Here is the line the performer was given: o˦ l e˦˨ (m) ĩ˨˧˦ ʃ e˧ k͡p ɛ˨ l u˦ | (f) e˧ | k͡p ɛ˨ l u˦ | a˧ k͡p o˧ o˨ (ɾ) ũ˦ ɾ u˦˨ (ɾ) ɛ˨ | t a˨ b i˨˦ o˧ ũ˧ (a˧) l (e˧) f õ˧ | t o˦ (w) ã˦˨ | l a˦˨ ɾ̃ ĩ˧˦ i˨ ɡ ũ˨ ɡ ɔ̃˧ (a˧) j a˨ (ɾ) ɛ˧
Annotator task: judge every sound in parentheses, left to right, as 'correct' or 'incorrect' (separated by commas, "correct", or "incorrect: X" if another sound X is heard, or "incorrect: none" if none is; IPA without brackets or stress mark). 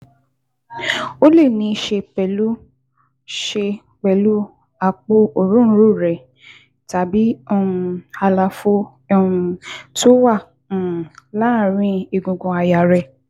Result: incorrect: n, incorrect: ʃ, correct, correct, correct, incorrect: a˧, correct, correct, correct